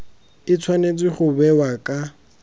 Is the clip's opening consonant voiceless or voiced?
voiceless